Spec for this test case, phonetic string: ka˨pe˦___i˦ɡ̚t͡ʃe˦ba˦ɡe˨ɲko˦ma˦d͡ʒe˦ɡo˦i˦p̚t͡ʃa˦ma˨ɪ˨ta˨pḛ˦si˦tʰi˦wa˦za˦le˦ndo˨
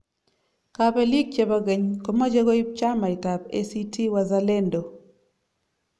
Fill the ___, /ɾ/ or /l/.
l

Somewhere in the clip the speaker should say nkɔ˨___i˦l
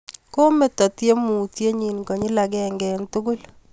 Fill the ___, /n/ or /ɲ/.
ɲ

